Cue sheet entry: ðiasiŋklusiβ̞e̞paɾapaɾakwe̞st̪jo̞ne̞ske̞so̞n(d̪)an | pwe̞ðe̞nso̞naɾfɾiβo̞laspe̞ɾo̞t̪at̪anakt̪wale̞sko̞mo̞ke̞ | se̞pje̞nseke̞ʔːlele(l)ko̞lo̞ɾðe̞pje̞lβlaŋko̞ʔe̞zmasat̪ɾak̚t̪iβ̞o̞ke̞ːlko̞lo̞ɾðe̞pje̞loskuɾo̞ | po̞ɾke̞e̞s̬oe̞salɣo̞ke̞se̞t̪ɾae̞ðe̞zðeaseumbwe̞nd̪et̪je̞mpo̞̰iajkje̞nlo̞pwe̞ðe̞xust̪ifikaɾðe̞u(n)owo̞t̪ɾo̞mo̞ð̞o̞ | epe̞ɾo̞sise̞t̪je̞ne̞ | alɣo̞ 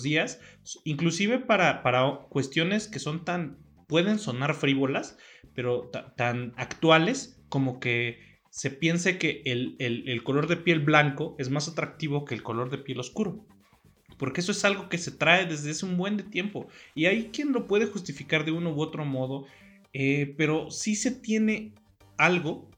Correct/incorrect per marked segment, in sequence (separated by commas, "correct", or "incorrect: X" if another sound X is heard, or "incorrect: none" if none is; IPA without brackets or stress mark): incorrect: t̪, correct, correct